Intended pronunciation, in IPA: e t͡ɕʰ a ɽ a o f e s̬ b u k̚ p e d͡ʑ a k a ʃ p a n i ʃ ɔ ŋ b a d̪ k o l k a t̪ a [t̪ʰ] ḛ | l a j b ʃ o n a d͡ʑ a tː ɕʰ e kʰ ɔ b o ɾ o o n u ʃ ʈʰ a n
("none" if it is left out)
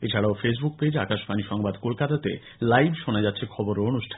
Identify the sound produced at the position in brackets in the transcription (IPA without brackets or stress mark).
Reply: t̪